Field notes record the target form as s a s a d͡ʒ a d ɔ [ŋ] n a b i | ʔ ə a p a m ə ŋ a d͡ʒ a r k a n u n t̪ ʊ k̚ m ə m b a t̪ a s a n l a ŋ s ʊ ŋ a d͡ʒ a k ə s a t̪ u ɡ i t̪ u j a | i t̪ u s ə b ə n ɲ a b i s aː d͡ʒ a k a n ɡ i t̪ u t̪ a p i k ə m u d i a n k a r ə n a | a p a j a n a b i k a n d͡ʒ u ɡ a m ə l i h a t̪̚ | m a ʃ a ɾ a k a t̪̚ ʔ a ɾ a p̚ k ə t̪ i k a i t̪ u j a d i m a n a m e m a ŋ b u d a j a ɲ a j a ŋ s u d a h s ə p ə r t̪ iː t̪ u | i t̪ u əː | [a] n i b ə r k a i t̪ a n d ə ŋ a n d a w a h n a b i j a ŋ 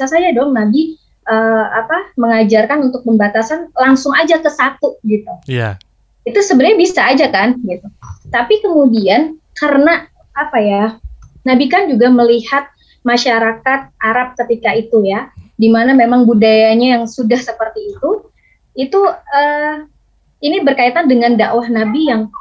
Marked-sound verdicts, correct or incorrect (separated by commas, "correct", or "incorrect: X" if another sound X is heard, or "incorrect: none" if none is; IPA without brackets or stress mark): correct, incorrect: i